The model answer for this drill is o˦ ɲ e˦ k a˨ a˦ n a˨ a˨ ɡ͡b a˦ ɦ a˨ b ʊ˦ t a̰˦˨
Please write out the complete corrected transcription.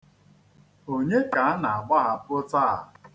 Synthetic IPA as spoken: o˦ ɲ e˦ k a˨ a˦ n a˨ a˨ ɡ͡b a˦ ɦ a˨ p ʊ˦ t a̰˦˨